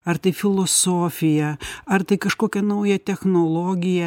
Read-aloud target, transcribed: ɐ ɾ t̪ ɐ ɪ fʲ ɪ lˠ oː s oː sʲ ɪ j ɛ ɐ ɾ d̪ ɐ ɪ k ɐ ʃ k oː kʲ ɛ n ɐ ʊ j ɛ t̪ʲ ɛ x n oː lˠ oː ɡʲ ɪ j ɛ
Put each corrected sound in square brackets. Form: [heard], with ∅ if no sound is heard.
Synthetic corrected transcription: ɐ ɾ t̪ ɐ ɪ fʲ ɪ lˠ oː s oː [fʲ] ɪ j ɛ ɐ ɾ [t̪] ɐ ɪ k ɐ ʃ k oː kʲ ɛ n ɐ ʊ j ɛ t̪ʲ ɛ x n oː lˠ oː ɡʲ ɪ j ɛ

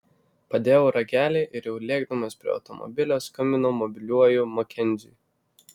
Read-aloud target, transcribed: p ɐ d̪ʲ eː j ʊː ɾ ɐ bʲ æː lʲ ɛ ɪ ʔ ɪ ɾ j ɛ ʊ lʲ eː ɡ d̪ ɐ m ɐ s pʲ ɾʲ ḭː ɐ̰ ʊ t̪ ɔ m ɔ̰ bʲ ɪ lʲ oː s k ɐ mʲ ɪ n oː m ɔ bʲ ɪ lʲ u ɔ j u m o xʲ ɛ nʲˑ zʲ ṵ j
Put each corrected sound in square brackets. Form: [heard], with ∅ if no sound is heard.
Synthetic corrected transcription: p ɐ d̪ʲ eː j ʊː ɾ ɐ [ɡʲ] æː lʲ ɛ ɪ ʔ ɪ ɾ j ɛ ʊ lʲ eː ɡ d̪ ɐ m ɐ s pʲ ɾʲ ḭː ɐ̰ ʊ t̪ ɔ m ɔ̰ bʲ ɪ lʲ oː s k ɐ mʲ ɪ n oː m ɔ bʲ ɪ lʲ u ɔ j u m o [kʲ] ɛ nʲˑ zʲ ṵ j

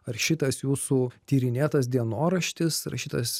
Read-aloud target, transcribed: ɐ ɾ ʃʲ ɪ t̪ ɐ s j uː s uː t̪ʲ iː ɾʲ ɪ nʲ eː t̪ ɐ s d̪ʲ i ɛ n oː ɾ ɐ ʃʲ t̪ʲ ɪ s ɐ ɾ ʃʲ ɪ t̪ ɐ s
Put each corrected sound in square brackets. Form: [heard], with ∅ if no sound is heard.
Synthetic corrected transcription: ɐ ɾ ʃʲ ɪ t̪ ɐ s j uː s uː t̪ʲ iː ɾʲ ɪ nʲ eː t̪ ɐ s d̪ʲ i ɛ n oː ɾ ɐ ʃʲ t̪ʲ ɪ s ɐ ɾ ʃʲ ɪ t̪ ɐ s

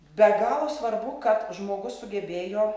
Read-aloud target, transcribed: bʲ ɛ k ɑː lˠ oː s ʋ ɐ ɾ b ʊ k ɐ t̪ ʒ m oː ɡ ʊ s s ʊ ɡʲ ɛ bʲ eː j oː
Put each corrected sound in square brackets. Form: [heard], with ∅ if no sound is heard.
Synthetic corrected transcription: bʲ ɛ [ɡ] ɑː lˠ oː s ʋ ɐ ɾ b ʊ k ɐ t̪ ʒ m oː ɡ ʊ s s ʊ ɡʲ ɛ bʲ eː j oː

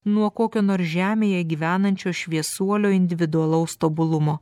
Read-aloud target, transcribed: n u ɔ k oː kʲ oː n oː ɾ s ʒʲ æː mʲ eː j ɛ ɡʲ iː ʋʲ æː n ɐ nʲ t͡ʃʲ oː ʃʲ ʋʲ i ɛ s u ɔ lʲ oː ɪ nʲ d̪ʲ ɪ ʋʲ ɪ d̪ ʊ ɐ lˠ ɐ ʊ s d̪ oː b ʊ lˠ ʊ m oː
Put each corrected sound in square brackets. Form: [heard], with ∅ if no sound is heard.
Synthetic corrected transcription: n u ɔ k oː kʲ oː n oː ɾ s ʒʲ æː mʲ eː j ɛ ɡʲ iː ʋʲ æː n ɐ nʲ t͡ʃʲ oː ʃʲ ʋʲ i ɛ s u ɔ lʲ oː ɪ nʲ d̪ʲ ɪ ʋʲ ɪ d̪ ʊ ɐ lˠ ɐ ʊ s [t̪] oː b ʊ lˠ ʊ m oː

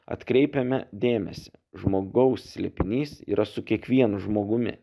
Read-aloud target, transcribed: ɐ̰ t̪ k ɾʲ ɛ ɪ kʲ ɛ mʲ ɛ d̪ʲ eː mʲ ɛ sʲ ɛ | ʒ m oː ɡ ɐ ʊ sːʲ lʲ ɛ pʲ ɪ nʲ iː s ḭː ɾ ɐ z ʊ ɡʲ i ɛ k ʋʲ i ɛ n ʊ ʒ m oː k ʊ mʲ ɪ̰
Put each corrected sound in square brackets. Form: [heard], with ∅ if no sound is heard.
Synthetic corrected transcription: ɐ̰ t̪ k ɾʲ ɛ ɪ [pʲ] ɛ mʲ ɛ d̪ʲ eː mʲ ɛ sʲ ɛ | ʒ m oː ɡ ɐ ʊ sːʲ lʲ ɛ pʲ ɪ nʲ iː s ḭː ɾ ɐ [s] ʊ [kʲ] i ɛ k ʋʲ i ɛ n ʊ ʒ m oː [ɡ] ʊ mʲ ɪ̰

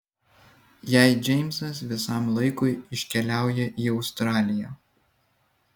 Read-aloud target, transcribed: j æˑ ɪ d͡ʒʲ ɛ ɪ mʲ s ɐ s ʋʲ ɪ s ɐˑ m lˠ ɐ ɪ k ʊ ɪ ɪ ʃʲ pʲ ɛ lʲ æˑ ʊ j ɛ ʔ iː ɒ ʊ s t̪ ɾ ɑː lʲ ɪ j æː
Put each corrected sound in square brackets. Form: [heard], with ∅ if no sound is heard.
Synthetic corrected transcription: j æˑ ɪ d͡ʒʲ ɛ ɪ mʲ s ɐ s ʋʲ ɪ s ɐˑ m lˠ ɐ ɪ k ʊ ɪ ɪ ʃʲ [kʲ] ɛ lʲ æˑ ʊ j ɛ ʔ iː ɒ ʊ s t̪ ɾ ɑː lʲ ɪ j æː

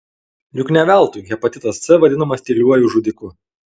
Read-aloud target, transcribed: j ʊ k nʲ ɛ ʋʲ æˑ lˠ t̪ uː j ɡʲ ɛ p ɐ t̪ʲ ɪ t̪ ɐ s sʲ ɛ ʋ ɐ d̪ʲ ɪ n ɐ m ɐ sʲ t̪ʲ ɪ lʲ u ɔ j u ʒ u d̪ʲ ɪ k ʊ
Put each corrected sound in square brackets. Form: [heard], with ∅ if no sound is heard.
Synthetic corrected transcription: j ʊ k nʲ ɛ ʋʲ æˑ lˠ t̪ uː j ɡʲ ɛ p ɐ t̪ʲ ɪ t̪ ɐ s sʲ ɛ ʋ ɐ d̪ʲ ɪ n ɐ m ɐ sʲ t̪ʲ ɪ lʲ u ɔ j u ʒ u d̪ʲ ɪ k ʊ

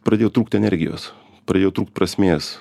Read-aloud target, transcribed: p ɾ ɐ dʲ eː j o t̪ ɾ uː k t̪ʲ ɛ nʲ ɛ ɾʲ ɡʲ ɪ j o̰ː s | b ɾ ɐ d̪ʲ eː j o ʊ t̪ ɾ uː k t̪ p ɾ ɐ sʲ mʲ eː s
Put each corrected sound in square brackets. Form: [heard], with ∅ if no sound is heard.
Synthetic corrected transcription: p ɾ ɐ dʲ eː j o t̪ ɾ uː k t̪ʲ ɛ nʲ ɛ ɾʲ ɡʲ ɪ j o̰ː s | [p] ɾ ɐ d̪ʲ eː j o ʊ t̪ ɾ uː k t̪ p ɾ ɐ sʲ mʲ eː s

